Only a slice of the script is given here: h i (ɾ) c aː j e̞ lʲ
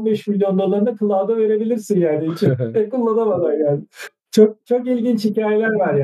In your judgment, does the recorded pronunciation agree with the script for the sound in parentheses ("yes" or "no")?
no